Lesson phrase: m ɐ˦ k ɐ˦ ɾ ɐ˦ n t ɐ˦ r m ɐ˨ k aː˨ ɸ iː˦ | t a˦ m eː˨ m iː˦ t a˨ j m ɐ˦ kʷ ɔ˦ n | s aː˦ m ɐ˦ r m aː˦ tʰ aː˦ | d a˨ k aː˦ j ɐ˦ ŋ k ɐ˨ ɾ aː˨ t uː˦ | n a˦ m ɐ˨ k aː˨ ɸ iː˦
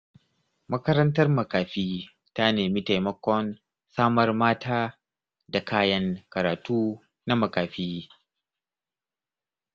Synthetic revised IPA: m ɐ˦ k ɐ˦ ɾ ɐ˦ n t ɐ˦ r m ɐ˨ k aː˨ ɸ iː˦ | t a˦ n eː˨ m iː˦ t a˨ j m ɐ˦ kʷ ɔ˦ n | s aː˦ m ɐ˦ r m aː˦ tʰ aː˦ | d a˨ k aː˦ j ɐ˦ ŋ k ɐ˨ ɾ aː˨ t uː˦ | n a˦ m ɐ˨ k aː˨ ɸ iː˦